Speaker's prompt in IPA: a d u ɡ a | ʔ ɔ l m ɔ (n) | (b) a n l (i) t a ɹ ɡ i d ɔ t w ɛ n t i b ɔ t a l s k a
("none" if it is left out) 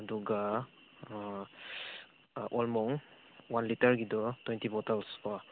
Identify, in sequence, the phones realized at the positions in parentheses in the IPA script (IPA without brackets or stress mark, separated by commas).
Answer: ŋ, w, i